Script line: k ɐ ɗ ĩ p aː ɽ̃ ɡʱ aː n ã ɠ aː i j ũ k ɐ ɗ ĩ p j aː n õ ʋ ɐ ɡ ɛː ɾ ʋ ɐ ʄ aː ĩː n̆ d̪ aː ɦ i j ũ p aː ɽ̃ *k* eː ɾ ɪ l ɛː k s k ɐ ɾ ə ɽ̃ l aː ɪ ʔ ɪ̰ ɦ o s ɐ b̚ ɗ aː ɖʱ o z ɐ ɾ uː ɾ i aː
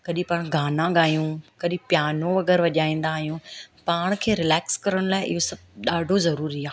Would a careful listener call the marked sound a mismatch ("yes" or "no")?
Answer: yes